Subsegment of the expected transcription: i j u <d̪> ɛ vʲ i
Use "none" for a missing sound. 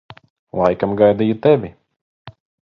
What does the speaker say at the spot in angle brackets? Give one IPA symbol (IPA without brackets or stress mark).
t̪